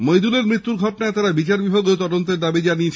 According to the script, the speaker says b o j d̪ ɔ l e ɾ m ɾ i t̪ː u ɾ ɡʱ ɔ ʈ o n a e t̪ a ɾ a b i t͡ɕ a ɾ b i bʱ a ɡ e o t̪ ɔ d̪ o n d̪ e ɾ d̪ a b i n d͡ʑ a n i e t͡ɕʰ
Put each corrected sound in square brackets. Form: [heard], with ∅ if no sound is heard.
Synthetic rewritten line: [m] o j d̪ [u] l e ɾ m ɾ i t̪ː u ɾ ɡʱ ɔ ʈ o n a e t̪ a ɾ a b i t͡ɕ a ɾ b i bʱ a ɡ e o t̪ ɔ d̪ o n [t̪] e ɾ d̪ a b i [∅] d͡ʑ a n i e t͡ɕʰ

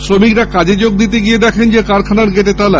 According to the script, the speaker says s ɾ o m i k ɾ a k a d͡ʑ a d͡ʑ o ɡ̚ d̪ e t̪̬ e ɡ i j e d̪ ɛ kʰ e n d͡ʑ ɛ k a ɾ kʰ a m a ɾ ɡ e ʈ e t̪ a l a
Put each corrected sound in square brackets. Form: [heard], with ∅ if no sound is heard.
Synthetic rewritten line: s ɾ o m i k ɾ a k a d͡ʑ [e] d͡ʑ o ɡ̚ d̪ [i] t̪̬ e ɡ i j e d̪ ɛ kʰ e n d͡ʑ [e] k a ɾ kʰ a [n] a ɾ ɡ e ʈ e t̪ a l a

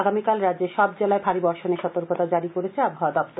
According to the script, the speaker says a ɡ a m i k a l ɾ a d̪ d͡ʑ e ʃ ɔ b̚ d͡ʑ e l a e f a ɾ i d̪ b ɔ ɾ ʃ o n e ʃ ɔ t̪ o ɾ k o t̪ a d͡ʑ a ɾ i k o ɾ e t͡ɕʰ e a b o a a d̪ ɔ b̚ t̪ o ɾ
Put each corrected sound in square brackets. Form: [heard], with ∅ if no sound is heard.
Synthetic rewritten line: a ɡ a m i k a l ɾ a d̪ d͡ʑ e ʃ ɔ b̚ d͡ʑ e l a e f a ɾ i [∅] b ɔ ɾ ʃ o n e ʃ ɔ t̪ o ɾ k o t̪ a d͡ʑ a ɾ i k o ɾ e t͡ɕʰ e a b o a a d̪ ɔ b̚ t̪ o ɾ

